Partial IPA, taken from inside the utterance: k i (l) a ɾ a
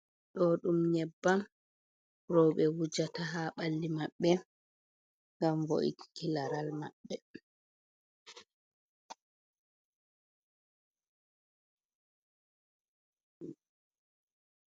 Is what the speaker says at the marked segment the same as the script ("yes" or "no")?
yes